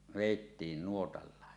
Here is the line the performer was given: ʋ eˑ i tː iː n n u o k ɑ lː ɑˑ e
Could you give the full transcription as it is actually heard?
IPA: ʋ eˑ i tː iː n n u o t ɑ lː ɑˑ e